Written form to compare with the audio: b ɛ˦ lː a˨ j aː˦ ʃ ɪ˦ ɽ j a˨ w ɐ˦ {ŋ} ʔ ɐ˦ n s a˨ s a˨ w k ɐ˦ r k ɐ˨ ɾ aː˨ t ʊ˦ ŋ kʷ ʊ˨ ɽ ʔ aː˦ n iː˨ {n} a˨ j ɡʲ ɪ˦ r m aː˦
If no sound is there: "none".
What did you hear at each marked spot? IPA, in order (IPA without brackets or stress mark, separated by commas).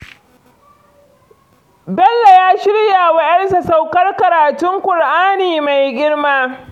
none, m